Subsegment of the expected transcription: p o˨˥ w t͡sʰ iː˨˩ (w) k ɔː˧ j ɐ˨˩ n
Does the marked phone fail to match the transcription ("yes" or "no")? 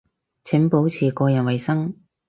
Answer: yes